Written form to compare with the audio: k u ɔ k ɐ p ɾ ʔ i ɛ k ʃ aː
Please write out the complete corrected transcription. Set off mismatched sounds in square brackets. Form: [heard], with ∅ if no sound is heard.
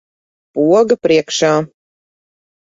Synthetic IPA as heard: [p] u ɔ [ɡ] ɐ p ɾ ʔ i ɛ k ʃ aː